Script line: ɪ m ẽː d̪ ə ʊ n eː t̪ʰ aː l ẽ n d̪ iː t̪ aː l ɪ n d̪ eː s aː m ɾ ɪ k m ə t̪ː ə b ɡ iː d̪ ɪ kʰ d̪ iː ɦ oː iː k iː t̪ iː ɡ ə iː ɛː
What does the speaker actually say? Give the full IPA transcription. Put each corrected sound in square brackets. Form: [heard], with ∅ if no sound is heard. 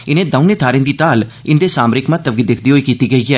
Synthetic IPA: ɪ [n] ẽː d̪ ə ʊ n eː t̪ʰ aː [ɾ] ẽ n d̪ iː t̪ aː l ɪ n d̪ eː s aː m ɾ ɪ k m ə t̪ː ə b ɡ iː d̪ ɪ kʰ d̪ iː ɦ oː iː k iː t̪ iː ɡ ə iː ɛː